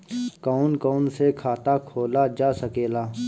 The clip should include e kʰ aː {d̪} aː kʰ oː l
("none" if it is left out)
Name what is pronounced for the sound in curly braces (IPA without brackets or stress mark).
t̪